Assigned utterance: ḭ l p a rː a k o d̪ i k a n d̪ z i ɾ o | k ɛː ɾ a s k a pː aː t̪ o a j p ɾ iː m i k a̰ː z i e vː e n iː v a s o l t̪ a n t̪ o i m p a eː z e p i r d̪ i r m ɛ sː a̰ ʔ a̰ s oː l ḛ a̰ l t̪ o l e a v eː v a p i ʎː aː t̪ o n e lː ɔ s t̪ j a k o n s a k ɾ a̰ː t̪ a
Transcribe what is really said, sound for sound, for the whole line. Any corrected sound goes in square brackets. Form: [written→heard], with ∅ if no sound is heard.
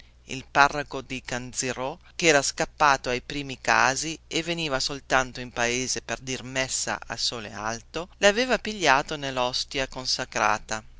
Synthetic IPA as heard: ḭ l p a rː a k o d̪ i k a n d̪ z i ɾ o | k ɛː ɾ a s k a pː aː t̪ o a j p ɾ iː m i k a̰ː z i e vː e n iː v a s o l t̪ a n t̪ o i m p a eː z e p [i→e] r d̪ i r m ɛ sː a̰ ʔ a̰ s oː l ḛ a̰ l t̪ o l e a v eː v a p i ʎː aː t̪ o n e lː ɔ s t̪ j a k o n s a k ɾ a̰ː t̪ a